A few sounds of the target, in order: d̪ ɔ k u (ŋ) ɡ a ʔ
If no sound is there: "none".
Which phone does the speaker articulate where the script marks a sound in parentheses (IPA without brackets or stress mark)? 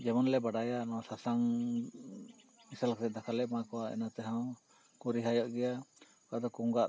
ŋ